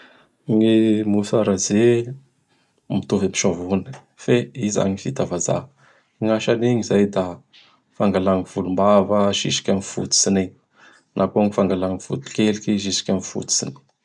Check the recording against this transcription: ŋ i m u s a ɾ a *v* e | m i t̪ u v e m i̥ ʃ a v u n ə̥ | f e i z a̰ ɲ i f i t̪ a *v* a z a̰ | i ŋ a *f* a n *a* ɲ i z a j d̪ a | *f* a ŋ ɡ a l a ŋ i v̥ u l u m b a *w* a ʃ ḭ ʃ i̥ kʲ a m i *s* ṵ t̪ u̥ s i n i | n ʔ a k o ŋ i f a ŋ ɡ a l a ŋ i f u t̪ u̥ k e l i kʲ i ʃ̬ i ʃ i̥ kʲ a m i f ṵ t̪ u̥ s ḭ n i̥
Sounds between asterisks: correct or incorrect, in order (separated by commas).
incorrect, correct, incorrect, incorrect, correct, incorrect, incorrect